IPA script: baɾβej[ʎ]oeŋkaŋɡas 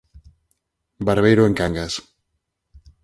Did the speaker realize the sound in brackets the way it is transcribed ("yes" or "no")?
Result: no